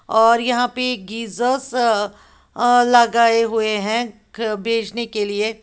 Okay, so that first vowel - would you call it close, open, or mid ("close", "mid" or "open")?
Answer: mid